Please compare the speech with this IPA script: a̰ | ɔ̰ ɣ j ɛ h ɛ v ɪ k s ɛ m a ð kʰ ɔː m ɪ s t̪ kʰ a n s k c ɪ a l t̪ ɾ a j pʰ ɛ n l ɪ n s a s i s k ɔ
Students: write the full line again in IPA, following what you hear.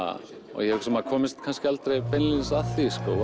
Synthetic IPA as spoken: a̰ | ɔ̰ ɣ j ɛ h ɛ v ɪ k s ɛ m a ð kʰ ɔː m ɪ s t̪ kʰ a n s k c ɪ a l t̪ ɾ e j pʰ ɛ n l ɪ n s a θ i s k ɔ